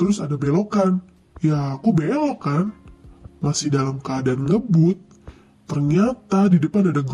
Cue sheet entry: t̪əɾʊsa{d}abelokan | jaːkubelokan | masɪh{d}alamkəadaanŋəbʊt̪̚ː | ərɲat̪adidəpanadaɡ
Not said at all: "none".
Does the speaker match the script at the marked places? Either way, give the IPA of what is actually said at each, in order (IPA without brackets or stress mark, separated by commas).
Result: d, d